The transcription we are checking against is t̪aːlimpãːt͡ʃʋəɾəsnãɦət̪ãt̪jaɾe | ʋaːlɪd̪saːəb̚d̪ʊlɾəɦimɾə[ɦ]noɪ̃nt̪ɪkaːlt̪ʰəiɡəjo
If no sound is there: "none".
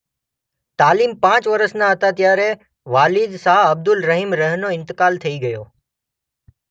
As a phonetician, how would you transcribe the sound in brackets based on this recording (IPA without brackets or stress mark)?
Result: ɦ